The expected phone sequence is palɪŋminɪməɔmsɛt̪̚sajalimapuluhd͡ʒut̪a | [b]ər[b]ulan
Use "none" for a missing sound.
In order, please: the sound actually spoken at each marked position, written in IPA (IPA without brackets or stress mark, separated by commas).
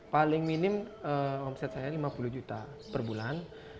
p, b